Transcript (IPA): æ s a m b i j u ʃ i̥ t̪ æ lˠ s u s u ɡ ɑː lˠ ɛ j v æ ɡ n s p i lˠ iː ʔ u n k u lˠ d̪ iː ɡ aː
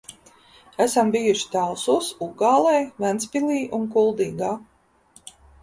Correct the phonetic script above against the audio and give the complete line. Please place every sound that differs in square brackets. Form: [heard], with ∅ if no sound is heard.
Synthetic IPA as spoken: æ s a m b i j u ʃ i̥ t̪ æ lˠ s u s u ɡ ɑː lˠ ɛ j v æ [∅] n s p i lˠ iː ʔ u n k u lˠ d̪ iː ɡ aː